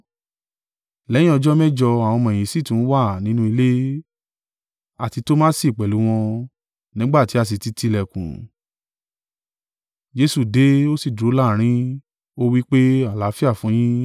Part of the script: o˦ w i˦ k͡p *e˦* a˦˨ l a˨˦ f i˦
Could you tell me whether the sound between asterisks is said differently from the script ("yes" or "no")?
no